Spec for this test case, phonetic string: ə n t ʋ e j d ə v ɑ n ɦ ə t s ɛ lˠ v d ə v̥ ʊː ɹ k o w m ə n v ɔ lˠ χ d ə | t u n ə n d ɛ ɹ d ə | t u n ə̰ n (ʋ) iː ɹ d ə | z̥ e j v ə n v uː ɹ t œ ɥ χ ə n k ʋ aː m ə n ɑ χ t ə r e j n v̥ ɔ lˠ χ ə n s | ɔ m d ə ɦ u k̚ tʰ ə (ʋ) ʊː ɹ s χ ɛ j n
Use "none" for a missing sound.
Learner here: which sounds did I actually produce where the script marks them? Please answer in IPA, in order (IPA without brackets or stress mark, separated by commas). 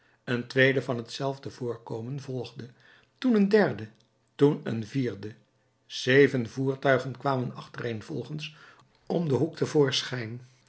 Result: v, v